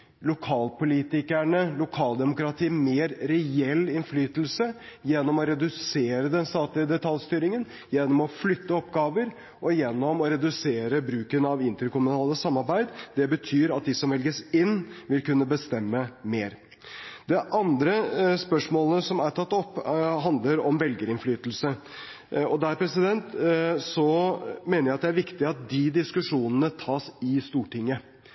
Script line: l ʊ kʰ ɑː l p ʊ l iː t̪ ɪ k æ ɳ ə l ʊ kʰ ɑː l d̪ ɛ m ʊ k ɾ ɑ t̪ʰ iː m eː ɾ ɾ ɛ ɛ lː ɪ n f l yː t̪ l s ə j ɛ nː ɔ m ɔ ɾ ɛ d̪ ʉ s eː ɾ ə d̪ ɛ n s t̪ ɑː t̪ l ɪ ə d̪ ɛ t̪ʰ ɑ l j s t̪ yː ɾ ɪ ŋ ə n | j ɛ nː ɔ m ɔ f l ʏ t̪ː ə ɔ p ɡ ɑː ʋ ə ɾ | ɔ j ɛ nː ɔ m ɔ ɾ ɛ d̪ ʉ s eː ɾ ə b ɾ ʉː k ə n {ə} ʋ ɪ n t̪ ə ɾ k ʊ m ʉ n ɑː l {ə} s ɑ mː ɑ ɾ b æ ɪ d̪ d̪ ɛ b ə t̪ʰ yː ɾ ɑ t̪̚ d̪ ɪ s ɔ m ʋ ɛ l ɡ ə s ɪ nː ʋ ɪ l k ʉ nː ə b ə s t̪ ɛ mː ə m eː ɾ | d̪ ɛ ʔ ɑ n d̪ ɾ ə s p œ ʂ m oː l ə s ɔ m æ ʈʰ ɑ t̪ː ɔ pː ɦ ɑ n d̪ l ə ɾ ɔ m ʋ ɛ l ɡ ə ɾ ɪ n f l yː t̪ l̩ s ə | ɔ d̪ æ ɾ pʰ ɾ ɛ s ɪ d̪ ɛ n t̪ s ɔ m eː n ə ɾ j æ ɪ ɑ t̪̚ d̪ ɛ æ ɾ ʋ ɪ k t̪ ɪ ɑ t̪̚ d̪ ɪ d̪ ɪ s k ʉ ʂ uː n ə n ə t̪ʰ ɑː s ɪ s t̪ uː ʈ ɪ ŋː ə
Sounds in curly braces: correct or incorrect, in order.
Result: incorrect, correct

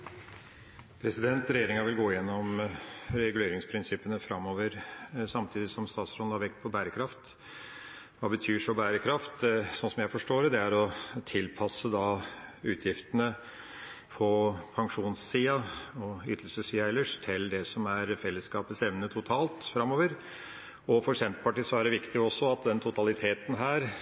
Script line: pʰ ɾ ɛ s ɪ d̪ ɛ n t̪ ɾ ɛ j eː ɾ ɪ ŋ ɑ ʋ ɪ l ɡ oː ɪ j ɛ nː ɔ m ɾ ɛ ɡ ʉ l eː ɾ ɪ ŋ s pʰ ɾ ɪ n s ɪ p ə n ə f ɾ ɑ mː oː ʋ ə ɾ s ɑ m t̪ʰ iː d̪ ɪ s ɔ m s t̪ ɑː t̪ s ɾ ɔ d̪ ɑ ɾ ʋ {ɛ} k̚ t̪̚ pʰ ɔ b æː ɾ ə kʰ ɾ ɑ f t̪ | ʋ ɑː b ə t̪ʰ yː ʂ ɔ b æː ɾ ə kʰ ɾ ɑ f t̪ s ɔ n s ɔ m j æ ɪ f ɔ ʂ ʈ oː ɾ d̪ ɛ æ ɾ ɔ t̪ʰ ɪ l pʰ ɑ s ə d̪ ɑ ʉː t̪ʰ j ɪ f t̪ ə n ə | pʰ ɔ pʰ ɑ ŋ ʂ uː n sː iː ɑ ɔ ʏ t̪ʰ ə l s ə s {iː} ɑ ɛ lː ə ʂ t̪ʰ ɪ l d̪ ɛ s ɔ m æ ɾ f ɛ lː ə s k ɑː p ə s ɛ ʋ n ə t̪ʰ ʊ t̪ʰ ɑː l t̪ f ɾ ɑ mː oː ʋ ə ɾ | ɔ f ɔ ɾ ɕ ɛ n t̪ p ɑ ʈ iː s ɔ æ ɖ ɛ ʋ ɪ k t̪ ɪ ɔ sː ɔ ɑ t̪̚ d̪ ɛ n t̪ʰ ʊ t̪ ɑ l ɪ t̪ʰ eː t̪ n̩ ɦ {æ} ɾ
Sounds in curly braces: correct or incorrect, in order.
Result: correct, correct, incorrect

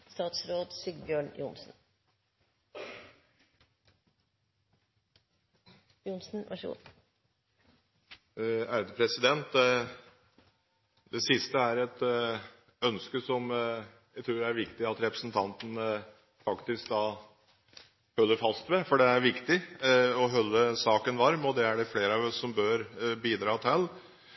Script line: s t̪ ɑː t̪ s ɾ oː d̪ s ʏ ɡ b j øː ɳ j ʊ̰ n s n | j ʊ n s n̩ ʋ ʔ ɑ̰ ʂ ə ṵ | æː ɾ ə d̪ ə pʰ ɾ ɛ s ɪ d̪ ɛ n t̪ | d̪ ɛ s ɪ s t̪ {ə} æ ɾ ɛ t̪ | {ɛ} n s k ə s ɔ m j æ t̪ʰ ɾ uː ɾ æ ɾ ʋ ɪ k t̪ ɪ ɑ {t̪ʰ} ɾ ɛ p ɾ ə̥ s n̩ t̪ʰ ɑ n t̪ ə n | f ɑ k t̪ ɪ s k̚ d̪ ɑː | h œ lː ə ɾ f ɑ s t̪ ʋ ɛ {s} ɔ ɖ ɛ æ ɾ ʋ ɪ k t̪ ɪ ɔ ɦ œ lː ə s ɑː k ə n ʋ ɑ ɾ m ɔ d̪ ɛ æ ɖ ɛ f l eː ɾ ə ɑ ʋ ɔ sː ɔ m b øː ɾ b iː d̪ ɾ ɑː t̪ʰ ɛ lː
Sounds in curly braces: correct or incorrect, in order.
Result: correct, incorrect, incorrect, incorrect

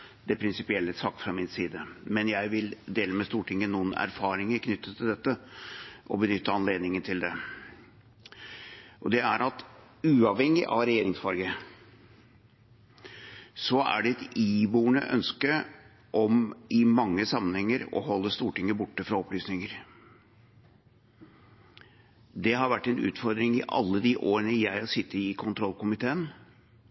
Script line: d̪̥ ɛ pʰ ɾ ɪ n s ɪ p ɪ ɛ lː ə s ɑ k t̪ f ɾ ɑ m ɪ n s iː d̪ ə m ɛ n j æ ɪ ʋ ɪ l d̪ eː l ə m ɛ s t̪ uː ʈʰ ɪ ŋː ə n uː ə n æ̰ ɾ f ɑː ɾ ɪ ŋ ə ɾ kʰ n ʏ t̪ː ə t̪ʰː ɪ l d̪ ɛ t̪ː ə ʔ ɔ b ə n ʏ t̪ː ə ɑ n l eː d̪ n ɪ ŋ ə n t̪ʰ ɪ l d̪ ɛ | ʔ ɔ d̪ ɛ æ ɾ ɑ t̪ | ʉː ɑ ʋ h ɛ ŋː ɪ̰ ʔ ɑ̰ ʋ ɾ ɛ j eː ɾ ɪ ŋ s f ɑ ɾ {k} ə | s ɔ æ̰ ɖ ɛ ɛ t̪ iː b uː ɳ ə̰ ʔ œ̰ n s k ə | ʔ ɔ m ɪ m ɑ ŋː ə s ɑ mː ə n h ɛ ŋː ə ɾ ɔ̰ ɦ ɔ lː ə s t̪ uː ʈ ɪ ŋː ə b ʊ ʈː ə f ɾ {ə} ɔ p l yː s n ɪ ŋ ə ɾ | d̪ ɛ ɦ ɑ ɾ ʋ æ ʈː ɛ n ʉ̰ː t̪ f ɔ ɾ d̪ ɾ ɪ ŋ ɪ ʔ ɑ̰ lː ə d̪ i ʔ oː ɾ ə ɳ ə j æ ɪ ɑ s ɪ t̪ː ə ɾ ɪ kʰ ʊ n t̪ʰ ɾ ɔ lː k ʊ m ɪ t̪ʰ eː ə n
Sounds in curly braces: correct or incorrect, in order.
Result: incorrect, incorrect

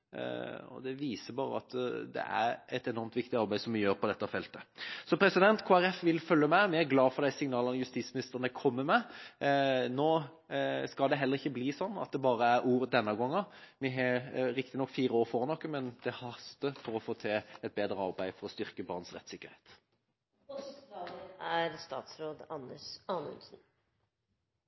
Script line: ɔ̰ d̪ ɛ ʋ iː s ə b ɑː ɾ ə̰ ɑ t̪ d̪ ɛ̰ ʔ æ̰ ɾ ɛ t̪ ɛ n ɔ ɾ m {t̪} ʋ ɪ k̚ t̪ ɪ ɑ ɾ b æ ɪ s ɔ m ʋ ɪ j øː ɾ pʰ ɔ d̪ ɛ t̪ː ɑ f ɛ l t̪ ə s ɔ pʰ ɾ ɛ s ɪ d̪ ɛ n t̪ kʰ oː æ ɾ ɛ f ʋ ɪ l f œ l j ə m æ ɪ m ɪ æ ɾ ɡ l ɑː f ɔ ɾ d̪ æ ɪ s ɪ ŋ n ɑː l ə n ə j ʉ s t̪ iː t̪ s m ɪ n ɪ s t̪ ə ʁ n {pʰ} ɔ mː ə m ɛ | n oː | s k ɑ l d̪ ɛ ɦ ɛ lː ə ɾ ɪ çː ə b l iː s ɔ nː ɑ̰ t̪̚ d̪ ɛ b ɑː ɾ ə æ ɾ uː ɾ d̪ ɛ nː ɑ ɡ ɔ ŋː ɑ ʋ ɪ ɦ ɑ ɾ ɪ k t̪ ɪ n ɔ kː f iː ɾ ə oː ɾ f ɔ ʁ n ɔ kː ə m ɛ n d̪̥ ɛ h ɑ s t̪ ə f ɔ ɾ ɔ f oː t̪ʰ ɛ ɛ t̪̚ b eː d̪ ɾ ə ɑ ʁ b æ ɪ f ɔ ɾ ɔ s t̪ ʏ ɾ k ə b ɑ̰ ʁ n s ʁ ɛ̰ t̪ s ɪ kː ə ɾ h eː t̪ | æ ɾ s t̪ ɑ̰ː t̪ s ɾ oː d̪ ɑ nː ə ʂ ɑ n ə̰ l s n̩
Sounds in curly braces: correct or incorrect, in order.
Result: correct, incorrect

